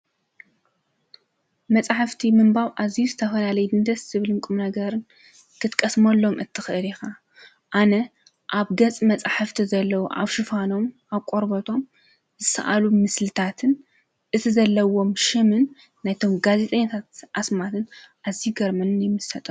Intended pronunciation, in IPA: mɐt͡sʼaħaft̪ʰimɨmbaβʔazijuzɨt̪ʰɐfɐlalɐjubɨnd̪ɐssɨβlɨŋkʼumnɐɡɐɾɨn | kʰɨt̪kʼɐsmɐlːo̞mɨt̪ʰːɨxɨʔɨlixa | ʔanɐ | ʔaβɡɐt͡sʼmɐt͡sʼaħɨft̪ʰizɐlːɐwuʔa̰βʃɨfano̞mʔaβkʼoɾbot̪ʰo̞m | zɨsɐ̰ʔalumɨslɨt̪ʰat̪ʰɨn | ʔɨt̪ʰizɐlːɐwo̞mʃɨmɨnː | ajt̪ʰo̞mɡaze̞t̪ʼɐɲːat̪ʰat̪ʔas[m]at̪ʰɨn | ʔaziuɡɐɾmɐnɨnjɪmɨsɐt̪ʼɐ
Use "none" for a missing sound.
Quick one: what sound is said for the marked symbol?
m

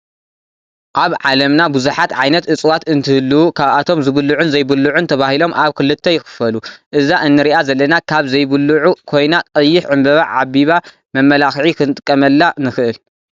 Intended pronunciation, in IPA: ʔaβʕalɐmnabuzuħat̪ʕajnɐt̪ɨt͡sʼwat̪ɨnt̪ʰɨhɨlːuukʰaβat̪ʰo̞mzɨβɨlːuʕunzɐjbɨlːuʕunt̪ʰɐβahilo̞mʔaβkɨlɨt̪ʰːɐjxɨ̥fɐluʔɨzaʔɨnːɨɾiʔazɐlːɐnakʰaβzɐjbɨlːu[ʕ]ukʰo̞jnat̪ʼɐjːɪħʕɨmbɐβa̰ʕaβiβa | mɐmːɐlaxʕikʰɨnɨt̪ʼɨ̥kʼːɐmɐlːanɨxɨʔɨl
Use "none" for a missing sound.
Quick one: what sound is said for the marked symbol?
ʕ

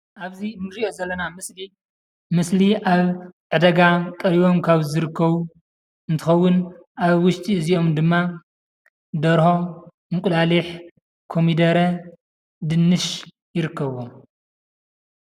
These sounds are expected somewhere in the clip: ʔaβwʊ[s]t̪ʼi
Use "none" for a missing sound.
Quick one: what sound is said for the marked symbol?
ʃ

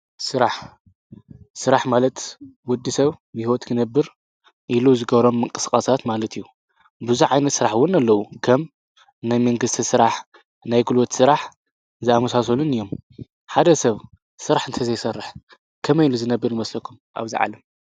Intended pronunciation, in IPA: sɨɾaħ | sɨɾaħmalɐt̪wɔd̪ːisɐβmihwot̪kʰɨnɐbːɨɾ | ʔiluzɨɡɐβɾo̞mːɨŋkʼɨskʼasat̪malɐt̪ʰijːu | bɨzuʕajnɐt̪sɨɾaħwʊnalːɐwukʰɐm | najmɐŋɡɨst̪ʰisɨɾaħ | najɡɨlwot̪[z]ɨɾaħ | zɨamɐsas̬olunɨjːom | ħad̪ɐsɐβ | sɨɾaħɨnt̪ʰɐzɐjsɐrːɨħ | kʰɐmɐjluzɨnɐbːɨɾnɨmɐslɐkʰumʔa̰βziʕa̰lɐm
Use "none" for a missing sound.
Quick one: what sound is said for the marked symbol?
s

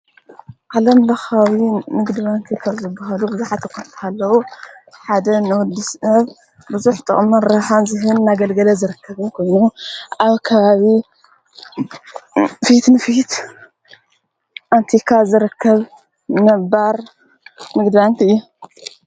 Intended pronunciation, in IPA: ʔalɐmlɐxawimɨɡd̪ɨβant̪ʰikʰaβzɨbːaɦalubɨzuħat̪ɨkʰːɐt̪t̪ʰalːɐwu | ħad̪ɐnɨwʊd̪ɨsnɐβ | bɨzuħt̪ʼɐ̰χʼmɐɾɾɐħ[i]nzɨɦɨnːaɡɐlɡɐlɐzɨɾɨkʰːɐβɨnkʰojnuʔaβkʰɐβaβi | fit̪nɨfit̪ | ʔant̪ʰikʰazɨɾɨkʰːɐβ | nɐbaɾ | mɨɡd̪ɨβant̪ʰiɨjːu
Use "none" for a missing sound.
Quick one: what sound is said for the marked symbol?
a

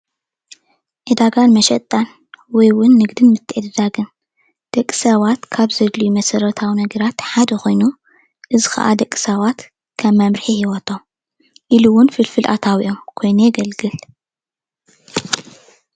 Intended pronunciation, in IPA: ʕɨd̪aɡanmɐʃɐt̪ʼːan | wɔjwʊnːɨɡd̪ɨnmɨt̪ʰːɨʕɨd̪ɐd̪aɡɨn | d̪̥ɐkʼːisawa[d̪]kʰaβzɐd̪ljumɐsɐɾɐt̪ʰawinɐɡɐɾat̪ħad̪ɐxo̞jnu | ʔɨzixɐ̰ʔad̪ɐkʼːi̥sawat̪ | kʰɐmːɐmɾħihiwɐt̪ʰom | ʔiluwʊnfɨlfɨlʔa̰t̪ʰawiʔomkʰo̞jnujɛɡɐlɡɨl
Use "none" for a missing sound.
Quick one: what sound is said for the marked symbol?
t̪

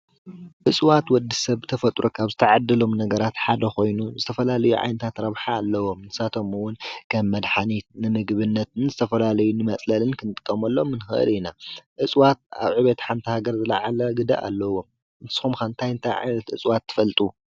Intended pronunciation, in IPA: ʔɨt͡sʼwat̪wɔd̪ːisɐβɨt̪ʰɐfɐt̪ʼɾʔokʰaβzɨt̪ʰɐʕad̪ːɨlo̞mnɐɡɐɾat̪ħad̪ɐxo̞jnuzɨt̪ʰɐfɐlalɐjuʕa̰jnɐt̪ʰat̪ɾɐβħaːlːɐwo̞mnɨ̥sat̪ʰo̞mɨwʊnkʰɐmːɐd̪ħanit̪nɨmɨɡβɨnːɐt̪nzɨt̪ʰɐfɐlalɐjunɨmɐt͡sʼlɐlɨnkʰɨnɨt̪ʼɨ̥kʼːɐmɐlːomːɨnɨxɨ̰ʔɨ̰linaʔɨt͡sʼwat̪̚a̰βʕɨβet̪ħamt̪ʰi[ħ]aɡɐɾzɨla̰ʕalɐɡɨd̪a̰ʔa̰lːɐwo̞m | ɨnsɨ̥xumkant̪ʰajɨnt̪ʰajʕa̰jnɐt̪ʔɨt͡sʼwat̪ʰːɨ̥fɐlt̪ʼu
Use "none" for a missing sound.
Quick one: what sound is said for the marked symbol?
h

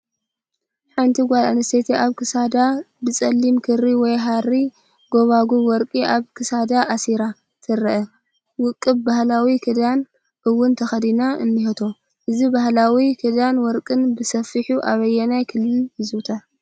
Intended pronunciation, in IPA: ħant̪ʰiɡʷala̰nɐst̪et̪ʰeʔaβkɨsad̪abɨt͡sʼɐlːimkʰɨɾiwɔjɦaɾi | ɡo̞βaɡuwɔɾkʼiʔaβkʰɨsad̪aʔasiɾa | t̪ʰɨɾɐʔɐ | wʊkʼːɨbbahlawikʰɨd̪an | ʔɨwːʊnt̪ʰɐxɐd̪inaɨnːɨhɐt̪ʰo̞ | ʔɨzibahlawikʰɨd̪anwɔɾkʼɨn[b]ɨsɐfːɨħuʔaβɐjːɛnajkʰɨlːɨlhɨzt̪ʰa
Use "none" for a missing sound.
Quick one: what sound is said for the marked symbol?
b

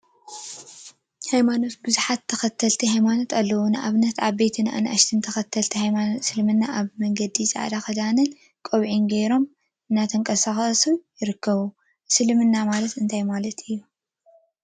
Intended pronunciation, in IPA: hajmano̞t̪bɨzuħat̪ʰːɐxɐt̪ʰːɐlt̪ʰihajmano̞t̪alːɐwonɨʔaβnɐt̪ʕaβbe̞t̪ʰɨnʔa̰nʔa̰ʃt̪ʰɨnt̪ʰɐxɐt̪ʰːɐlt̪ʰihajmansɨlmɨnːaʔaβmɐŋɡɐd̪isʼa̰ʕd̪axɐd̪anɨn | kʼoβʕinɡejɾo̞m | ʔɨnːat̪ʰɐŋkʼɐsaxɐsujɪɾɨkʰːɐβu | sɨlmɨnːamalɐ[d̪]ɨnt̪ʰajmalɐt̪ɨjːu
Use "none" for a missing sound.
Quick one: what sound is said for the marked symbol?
t̪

